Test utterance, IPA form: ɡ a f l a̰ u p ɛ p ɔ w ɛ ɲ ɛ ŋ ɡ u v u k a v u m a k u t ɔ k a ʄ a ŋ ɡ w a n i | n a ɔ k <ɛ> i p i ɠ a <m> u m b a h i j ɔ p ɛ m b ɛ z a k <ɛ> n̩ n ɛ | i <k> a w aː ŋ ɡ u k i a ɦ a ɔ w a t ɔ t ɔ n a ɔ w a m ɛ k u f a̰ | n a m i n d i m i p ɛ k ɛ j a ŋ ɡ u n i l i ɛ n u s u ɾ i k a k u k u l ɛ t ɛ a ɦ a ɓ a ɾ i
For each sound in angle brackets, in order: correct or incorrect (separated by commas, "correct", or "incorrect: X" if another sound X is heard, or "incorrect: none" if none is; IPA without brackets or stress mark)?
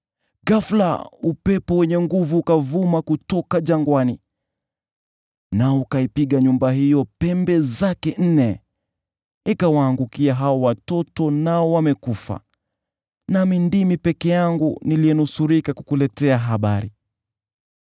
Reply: incorrect: a, incorrect: ɲ, correct, correct